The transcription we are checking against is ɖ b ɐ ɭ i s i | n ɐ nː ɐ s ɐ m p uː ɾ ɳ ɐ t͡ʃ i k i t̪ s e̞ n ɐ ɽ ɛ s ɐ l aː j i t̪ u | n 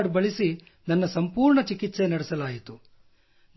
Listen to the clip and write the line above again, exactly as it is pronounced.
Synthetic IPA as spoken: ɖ b ɐ ɭ i s i | n ɐ nː ɐ s ɐ m p uː ɾ ɳ ɐ t͡ʃ i k i t̪ s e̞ n ɐ ɽ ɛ s ɐ l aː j i t̪ u | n

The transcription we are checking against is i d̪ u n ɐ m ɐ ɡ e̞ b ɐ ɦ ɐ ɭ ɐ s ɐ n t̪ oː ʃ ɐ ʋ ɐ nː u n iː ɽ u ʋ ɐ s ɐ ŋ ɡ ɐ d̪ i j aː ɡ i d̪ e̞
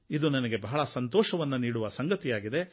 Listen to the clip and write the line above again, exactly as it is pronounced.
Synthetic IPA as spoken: i d̪ u n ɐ n ɐ ɡ e̞ b ɐ ɦ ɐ ɭ ɐ s ɐ n t̪ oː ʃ ɐ ʋ ɐ nː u n iː ɽ u ʋ ɐ s ɐ ŋ ɡ ɐ t̪ i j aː ɡ i d̪ e̞

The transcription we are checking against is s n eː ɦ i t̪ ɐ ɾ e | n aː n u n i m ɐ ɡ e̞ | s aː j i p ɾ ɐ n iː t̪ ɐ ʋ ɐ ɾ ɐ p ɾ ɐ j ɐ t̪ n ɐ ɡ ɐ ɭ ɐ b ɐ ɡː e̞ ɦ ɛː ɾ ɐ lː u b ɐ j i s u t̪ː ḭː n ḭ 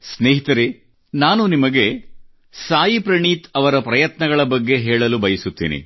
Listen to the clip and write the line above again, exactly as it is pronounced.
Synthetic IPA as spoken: s n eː ɦ i t̪ ɐ ɾ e | n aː n u n i m ɐ ɡ e̞ | s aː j i p ɾ ɐ ɳ iː t̪ ɐ ʋ ɐ ɾ ɐ p ɾ ɐ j ɐ t̪ n ɐ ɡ ɐ ɭ ɐ b ɐ ɡː e̞ ɦ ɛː ɭ ɐ l u b ɐ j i s u t̪ː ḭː n ḭ

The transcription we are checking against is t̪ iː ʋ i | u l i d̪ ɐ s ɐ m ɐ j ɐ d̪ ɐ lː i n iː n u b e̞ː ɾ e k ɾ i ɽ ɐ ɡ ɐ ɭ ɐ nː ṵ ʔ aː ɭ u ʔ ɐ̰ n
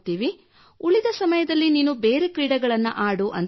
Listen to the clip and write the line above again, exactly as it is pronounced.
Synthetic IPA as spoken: t̪ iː ʋ i | u ɭ i d̪ ɐ s ɐ m ɐ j ɐ d̪ ɐ lː i n iː n u b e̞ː ɾ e k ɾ iː ɽ ɐ ɡ ɐ ɭ ɐ nː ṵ ʔ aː ɽ u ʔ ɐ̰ n

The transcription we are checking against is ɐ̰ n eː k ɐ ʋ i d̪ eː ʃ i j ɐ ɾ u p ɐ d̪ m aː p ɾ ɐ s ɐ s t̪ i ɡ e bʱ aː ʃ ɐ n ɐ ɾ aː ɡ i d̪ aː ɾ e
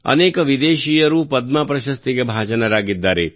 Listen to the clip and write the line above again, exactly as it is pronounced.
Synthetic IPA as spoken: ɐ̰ n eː k ɐ ʋ i d̪ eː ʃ i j ɐ ɾ u p ɐ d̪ m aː p ɾ ɐ ʃ ɐ s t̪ i ɡ e bʱ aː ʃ ɐ n ɐ ɾ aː ɡ i d̪ː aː ɾ e

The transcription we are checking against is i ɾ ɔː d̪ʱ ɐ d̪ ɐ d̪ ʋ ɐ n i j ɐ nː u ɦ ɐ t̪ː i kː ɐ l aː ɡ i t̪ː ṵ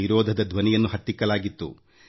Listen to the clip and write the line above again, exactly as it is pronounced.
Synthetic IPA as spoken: i ɾ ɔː d̪ʱ ɐ d̪ ɐ d̪ ʋ ɐ n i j ɐ nː u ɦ ɐ t̪ː i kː ɐ l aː ɡ i t̪ː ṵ

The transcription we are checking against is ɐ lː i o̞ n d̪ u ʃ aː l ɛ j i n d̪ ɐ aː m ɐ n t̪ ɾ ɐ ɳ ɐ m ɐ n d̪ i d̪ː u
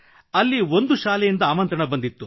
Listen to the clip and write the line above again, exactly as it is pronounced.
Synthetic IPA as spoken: ɐ lː i o̞ n d̪ u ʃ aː l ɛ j i n d̪ ɐ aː m ɐ n t̪ ɾ ɐ ɳ ɐ b ɐ n d̪ i t̪ː u

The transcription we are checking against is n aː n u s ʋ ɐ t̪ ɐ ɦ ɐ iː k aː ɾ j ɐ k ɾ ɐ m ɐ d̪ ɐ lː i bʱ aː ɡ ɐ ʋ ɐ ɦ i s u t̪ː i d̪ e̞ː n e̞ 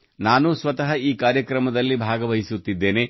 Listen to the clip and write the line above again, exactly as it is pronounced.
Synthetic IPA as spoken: n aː n u s ʋ ɐ t̪ ɐ ɦ ɐ iː k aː ɾ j ɐ k ɾ ɐ m ɐ d̪ ɐ lː i bʱ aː ɡ ɐ ʋ ɐ ɦ i s u t̪ː i d̪ː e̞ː n e̞

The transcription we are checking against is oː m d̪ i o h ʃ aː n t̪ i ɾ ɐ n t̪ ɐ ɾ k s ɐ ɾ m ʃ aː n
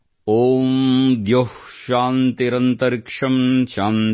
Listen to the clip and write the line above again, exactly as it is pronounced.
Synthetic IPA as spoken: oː m d̪ j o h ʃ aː n t̪ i ɾ ɐ n t̪ ɐ ɾ k ʂ ɐ m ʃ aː n

